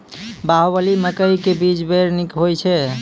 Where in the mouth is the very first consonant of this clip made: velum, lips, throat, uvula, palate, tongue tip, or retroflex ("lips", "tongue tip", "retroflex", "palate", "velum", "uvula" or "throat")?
lips